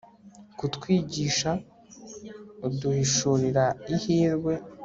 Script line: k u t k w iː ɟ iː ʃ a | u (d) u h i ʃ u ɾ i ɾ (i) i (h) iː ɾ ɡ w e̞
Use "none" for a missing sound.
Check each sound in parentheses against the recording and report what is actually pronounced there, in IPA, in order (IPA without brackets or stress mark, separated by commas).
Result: d, a, h